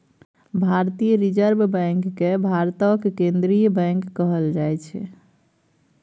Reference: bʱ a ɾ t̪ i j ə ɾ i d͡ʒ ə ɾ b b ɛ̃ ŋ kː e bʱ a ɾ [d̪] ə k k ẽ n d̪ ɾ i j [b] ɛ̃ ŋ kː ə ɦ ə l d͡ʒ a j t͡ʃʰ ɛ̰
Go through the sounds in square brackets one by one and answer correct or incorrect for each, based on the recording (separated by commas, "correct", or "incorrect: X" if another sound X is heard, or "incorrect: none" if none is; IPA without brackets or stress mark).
incorrect: t̪, correct